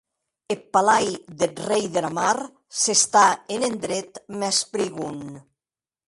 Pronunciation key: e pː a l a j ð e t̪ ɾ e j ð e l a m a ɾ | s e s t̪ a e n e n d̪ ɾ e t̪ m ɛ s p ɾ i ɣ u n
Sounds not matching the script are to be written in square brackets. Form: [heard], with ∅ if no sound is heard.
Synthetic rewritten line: e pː a l a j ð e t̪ [r] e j ð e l a m a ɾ | s e s t̪ a e n e n d̪ ɾ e t̪ m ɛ s p ɾ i ɣ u n